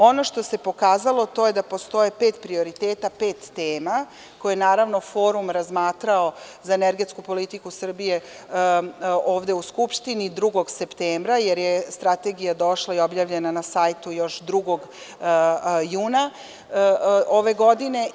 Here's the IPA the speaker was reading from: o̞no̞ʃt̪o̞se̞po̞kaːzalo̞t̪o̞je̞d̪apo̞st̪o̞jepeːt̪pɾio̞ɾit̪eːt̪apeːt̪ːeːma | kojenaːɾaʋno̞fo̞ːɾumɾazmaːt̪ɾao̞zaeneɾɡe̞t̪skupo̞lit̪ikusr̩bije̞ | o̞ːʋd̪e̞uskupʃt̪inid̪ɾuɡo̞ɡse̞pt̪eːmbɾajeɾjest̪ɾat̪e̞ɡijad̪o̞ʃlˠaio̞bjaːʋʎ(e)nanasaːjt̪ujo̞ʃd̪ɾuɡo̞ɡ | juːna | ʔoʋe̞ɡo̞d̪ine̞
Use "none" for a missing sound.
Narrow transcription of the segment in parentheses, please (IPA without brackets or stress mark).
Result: e